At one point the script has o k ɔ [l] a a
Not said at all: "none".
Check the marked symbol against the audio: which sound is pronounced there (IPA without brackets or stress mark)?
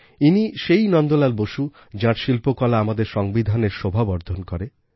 l